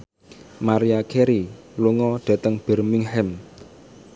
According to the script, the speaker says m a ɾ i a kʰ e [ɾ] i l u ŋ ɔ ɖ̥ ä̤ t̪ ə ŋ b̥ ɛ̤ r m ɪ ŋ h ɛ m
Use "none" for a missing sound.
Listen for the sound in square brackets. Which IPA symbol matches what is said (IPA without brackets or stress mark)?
ɾ